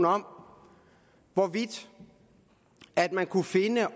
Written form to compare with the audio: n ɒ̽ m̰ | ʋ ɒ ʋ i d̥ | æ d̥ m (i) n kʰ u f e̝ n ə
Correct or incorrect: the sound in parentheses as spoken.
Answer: incorrect: æ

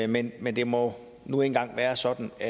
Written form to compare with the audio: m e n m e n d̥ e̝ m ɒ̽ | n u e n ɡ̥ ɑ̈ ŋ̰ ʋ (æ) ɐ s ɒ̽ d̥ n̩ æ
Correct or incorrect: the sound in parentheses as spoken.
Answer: incorrect: æː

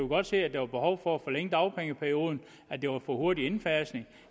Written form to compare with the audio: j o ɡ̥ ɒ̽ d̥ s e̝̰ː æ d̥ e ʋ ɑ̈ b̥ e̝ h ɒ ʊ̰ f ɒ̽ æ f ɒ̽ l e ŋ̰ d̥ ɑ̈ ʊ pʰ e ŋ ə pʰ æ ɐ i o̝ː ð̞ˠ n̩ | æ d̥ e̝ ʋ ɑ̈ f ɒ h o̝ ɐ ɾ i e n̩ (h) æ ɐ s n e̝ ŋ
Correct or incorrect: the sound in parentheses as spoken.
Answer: incorrect: f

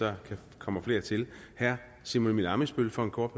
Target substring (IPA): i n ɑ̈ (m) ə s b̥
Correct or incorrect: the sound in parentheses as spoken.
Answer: correct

